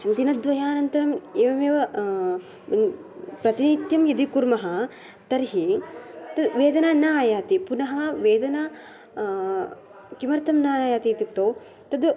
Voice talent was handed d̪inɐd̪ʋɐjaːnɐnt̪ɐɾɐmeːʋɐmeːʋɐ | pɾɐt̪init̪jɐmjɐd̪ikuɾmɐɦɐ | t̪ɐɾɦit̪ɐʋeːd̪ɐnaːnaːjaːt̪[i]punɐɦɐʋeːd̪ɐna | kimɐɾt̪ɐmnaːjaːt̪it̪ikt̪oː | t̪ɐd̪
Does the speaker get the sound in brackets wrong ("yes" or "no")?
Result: no